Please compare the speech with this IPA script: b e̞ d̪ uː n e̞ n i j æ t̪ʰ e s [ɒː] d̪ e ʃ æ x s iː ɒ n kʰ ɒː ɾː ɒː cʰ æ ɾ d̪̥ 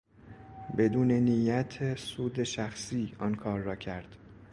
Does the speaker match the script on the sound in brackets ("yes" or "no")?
no